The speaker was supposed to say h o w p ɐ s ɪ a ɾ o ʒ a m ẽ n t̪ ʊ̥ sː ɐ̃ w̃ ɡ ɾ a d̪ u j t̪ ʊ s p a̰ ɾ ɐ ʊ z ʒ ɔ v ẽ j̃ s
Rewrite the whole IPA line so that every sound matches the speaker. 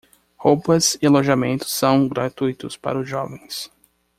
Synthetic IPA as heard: h o w p ɐ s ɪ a l o ʒ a m ẽ n t̪ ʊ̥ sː ɐ̃ w̃ ɡ ɾ a t̪ u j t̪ ʊ s p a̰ ɾ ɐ ʊ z ʒ ɔ v ẽ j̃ s